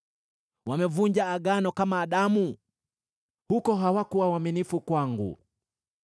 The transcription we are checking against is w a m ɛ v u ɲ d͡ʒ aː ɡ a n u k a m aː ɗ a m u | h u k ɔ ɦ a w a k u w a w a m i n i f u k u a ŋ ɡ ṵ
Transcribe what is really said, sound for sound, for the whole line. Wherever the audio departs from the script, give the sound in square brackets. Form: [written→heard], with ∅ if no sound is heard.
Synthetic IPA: w a m ɛ v u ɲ d͡ʒ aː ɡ a n [u→ɔ] k a m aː ɗ a m u | h u k ɔ ɦ a w a k u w a w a m i n i f u k [u→w] a ŋ ɡ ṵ